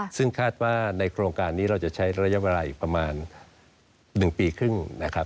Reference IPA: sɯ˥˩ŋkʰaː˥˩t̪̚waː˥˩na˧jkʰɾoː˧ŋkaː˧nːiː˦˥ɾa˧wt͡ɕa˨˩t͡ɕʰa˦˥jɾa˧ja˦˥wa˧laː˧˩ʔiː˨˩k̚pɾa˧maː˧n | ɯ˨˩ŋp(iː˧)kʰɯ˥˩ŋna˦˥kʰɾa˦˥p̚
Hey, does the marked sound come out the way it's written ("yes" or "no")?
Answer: yes